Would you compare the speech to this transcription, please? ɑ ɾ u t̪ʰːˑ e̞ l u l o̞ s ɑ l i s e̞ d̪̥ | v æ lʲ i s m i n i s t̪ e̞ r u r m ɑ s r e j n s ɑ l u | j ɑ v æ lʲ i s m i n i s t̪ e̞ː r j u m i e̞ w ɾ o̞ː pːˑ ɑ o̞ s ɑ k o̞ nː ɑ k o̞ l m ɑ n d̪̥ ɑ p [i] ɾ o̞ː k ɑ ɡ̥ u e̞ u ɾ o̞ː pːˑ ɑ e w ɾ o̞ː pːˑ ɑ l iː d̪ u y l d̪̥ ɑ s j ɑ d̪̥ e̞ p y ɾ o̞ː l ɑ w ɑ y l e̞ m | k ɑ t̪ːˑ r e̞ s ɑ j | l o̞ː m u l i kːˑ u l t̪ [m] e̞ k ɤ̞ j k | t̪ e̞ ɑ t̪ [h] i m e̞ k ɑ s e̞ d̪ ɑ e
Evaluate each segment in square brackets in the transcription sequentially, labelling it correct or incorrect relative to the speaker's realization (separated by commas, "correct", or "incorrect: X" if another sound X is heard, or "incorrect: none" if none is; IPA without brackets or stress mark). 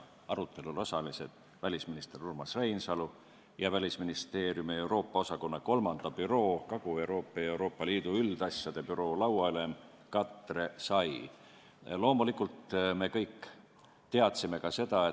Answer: incorrect: y, correct, incorrect: s